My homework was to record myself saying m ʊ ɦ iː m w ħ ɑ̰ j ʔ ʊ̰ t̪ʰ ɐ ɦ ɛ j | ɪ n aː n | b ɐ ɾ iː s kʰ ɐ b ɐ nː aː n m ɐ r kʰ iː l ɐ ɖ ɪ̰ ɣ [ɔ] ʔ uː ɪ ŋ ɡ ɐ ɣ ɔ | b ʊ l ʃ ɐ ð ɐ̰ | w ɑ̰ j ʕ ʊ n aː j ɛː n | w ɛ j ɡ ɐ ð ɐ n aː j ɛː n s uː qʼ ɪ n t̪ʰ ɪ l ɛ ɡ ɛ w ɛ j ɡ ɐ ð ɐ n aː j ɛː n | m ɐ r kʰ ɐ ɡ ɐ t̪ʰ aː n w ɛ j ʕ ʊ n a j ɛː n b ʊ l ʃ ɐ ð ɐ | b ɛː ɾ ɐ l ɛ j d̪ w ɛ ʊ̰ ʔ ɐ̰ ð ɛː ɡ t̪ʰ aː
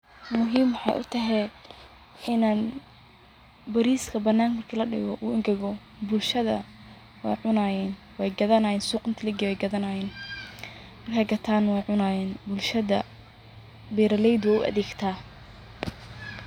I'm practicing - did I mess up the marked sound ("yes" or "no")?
no